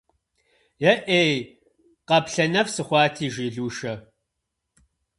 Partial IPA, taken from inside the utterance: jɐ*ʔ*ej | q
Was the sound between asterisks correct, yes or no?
yes